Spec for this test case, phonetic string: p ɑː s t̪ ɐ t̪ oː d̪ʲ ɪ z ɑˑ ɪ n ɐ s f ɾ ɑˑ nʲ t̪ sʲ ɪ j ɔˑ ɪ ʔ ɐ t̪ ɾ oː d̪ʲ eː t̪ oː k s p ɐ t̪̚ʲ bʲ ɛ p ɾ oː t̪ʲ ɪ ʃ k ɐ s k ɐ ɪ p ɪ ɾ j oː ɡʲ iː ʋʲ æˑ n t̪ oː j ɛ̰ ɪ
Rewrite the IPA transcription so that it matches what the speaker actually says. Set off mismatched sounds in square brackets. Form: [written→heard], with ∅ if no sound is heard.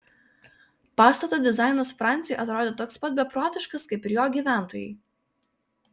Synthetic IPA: p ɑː s t̪ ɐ t̪ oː d̪ʲ ɪ z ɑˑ ɪ n ɐ s f ɾ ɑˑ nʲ t̪ sʲ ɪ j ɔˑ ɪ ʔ ɐ t̪ ɾ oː d̪ʲ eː t̪ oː k s p ɐ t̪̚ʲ bʲ ɛ p ɾ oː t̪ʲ ɪ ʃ k ɐ s k ɐ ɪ p ɪ ɾ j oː ɡʲ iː ʋʲ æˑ n t̪ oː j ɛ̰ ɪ